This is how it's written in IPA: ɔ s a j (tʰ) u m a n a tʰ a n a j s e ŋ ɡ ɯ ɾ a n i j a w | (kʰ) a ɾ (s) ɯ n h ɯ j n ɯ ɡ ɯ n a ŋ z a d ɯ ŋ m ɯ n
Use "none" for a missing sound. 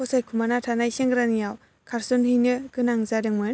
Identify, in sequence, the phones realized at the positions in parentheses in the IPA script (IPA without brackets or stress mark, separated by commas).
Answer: kʰ, kʰ, s